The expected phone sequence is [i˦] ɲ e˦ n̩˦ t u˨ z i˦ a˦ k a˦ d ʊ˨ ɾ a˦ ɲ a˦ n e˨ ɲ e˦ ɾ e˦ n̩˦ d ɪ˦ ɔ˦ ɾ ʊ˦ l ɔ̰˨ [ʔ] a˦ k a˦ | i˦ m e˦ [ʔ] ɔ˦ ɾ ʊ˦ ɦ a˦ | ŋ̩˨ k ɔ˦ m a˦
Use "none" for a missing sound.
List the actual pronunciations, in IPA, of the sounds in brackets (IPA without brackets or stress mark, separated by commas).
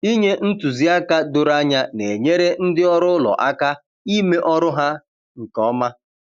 i˦, ʔ, ʔ